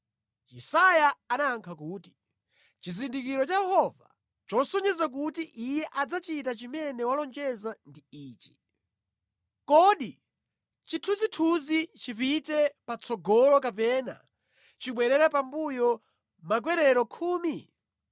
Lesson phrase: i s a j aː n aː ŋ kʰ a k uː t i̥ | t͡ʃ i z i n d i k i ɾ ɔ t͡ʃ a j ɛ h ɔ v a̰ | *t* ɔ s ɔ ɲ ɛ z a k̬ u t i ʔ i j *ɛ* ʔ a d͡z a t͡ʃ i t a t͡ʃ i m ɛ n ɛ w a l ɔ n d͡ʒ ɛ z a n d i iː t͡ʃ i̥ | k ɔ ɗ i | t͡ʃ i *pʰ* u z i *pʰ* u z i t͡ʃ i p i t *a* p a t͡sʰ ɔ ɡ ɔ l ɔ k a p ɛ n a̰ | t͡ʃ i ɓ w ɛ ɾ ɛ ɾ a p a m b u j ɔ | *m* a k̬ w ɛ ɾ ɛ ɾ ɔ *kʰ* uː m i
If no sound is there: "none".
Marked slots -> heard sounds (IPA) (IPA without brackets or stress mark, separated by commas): t͡ʃ, ɛ, tʰ, tʰ, ɛ, m, kʰ